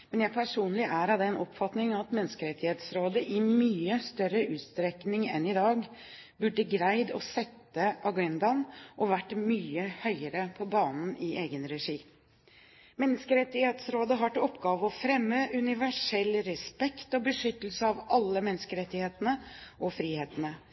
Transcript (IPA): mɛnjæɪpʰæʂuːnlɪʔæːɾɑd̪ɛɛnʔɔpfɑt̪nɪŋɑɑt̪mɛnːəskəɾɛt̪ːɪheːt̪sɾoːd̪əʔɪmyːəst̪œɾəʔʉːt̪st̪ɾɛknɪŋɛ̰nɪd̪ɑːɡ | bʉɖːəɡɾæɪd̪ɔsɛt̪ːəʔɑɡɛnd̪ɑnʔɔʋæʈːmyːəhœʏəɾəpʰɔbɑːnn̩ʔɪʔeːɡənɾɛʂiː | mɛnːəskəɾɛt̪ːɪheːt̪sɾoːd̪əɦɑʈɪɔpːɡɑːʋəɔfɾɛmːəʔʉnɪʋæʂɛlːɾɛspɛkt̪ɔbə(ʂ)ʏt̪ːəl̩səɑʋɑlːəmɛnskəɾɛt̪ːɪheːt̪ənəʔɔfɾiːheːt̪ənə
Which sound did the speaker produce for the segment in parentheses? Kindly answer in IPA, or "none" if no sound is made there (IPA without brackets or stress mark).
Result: ʂ